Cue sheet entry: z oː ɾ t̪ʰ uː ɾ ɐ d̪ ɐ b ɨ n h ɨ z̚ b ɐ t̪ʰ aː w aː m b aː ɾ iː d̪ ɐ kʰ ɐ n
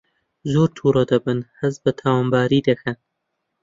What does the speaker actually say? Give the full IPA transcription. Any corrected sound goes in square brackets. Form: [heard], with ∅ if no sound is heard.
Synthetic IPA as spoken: z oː ɾ t̪ʰ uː ɾ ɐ d̪ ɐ b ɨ n h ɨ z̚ b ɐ t̪ʰ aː w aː m b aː ɾ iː d̪ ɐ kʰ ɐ n